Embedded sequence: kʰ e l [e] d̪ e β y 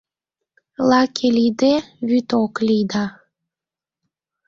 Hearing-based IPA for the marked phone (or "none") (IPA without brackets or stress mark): i